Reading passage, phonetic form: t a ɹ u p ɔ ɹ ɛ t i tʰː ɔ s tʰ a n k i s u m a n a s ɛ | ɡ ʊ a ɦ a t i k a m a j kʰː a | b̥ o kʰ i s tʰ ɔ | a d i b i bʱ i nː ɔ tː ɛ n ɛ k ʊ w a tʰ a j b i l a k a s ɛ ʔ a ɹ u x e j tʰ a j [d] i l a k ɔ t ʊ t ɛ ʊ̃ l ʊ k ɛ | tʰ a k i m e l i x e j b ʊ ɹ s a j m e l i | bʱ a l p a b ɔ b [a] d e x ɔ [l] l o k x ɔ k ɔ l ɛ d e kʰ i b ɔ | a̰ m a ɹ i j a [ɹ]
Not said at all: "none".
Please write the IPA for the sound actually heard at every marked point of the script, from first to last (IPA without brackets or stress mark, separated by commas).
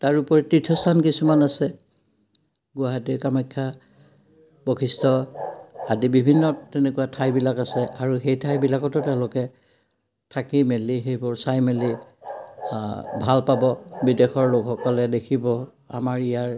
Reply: b, i, ɹ, ɹ